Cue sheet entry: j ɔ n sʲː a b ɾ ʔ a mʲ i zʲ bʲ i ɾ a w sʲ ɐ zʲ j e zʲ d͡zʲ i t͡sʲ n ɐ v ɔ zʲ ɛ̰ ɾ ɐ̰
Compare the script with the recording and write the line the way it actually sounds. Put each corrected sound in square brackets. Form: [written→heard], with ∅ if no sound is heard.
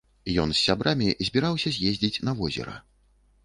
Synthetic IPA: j ɔ n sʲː a b ɾ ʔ a mʲ i zʲ bʲ i ɾ a w sʲ ɐ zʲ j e zʲ d͡zʲ i t͡sʲ n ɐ v ɔ zʲ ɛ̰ ɾ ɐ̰